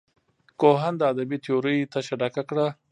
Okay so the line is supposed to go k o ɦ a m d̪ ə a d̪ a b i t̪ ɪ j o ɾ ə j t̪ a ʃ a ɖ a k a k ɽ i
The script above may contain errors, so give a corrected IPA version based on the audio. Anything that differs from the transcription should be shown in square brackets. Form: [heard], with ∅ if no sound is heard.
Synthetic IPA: k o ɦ a [n] d̪ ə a d̪ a b i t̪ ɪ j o ɾ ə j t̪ a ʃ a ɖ a k a k ɽ [a]